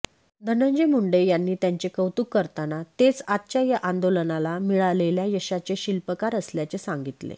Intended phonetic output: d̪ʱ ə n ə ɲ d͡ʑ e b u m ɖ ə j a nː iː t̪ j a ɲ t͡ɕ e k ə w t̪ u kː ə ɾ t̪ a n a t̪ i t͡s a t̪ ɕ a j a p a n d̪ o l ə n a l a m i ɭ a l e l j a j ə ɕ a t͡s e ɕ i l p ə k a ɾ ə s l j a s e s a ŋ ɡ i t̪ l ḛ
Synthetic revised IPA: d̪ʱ ə n ə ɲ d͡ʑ e m u ɳ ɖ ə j a nː iː t̪ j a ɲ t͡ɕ e k ə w t̪ u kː ə ɾ t̪ a n a t̪ e t͡s a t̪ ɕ a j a ʔ a n d̪ o l ə n a l a m i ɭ a l e l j a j ə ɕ a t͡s e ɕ i l p ə k a ɾ ə s l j a t͡s e s a ŋ ɡ i t̪ l ḛ